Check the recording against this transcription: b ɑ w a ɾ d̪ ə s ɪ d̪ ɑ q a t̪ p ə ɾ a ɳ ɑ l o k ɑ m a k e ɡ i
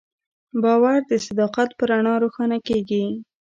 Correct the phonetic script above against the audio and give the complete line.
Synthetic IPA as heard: b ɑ w a ɾ d̪ ə s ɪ d̪ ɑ q a t̪ p ə ɾ a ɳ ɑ ɾ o x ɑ n a k e ɡ i